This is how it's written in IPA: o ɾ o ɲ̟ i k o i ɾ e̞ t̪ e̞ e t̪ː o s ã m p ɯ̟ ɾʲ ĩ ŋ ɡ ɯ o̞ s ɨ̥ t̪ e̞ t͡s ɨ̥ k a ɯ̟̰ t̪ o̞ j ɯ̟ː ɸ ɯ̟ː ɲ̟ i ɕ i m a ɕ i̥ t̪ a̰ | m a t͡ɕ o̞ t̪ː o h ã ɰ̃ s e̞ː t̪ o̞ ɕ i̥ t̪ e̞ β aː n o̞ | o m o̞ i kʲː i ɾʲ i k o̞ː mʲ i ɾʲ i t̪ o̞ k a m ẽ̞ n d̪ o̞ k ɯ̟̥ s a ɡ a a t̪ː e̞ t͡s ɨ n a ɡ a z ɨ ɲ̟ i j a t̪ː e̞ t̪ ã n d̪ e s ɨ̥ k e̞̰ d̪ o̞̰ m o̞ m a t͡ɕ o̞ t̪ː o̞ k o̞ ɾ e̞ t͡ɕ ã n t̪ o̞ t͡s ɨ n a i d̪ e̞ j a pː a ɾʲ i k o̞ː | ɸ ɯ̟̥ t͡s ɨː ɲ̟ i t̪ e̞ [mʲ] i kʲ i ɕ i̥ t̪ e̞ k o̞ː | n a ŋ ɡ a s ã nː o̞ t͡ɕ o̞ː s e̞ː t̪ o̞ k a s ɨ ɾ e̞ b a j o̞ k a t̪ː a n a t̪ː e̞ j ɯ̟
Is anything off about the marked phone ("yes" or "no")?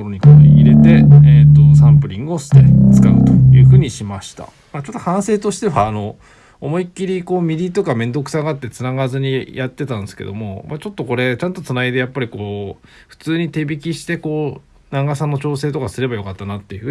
yes